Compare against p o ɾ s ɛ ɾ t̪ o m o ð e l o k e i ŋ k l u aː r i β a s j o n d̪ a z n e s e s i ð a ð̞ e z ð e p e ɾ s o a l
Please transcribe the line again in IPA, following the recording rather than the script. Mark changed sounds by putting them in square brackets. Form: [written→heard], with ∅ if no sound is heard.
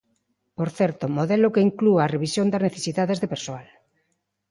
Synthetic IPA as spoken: p o ɾ [s→θ] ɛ ɾ t̪ o m o ð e l o k e i ŋ k l u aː r [i→e] β [a→i] s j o n d̪ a z n e [s→θ] e s i ð a ð̞ e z ð e p e ɾ s o a l

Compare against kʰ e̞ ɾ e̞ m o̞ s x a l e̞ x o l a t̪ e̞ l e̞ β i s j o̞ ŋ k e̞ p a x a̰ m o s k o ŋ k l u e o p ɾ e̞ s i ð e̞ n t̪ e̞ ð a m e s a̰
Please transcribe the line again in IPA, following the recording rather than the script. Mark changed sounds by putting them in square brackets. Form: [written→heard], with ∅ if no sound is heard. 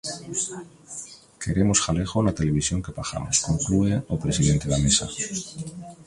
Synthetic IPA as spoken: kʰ e̞ ɾ e̞ m o̞ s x a l e̞ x o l a t̪ e̞ l e̞ β i s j o̞ ŋ k e̞ p a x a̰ m o s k o ŋ k l u e o p ɾ e̞ s i ð e̞ n t̪ e̞ ð a m e s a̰

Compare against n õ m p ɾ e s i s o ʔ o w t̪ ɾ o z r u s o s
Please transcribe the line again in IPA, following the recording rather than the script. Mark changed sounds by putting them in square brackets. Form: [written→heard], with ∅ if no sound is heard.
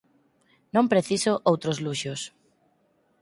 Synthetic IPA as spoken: n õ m p ɾ e [s→θ] i s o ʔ o w t̪ ɾ o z [r→l] u [s→ʃ] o s

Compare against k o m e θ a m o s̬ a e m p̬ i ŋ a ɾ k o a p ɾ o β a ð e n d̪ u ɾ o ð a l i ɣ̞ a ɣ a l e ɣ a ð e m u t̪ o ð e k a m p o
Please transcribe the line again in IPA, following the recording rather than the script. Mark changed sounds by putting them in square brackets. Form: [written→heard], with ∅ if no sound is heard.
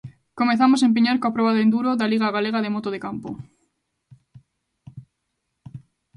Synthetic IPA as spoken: k o m e θ a m o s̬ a e m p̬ i [ŋ→ɲ] a ɾ k o a p ɾ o β a ð e n d̪ u ɾ o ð a l i ɣ̞ a ɣ a l e ɣ a ð e m [u→o] t̪ o ð e k a m p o

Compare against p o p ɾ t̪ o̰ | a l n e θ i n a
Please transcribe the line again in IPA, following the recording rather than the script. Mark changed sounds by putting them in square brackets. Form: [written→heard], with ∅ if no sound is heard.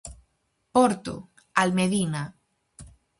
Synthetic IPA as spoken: p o [p→∅] ɾ t̪ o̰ | a l [n→m] e [θ→ð] i n a

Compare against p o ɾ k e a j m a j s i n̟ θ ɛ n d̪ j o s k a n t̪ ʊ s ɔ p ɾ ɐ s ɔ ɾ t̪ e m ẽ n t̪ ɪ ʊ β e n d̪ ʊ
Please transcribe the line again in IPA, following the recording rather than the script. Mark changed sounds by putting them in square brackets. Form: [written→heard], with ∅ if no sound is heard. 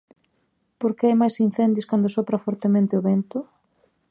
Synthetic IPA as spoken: p o ɾ k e a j m a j s i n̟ θ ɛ n d̪ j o s k a n [t̪→d̪] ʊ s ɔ p ɾ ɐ [s→f] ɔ ɾ t̪ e m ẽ n t̪ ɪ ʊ β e n [d̪→t̪] ʊ

